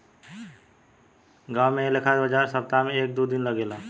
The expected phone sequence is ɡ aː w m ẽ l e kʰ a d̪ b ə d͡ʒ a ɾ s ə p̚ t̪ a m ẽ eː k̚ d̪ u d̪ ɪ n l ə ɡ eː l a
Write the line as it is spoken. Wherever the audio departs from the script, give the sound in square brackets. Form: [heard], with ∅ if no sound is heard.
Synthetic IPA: ɡ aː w m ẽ l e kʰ a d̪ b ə d͡ʒ a ɾ s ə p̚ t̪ a m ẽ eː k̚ d̪ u d̪ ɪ n l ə ɡ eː l a